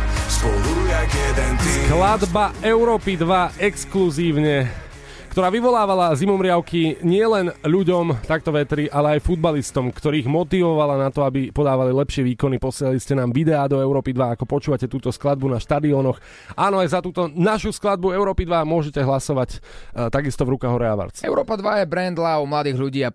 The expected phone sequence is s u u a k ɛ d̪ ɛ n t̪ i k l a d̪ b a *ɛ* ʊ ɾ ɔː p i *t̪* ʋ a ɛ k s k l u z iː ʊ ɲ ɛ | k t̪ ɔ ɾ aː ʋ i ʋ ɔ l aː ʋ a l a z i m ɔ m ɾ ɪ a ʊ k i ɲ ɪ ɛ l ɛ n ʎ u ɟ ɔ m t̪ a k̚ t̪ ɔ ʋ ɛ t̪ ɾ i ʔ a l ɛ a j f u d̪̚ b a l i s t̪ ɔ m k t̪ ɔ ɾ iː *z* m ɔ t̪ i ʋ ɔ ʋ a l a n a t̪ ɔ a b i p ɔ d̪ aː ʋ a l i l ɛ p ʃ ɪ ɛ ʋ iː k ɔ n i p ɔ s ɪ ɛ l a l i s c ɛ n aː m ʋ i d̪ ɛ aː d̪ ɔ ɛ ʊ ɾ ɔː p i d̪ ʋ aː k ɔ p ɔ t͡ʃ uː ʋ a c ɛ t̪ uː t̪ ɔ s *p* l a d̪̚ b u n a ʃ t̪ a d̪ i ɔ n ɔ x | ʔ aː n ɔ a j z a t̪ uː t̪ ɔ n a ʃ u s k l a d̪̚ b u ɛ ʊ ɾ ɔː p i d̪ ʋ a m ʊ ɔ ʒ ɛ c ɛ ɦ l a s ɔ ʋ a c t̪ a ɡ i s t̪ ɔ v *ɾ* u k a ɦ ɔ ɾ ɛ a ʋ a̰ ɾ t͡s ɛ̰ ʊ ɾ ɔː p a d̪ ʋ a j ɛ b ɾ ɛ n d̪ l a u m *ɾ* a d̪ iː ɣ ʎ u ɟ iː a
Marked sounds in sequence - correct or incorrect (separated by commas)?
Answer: correct, incorrect, incorrect, incorrect, correct, incorrect